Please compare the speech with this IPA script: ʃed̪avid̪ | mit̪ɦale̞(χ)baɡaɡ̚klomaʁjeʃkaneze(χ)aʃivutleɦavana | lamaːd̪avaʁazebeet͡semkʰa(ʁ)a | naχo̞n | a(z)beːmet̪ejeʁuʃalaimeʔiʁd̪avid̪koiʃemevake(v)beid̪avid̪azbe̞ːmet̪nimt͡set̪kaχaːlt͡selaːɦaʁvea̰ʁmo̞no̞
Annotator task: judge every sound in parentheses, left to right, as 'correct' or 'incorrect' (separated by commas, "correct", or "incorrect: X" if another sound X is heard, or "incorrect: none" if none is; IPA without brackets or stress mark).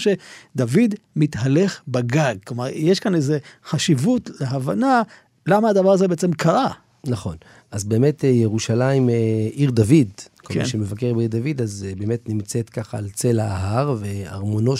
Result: correct, correct, correct, correct, incorrect: ʁ